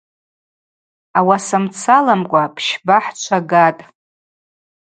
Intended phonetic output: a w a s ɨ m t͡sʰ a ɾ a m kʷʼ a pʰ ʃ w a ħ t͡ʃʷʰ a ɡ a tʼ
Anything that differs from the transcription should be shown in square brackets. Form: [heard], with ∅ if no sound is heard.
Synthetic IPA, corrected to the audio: a w a s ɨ m t͡sʰ a [l] a m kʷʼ a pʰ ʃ [b] a ħ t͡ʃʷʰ a ɡ a tʼ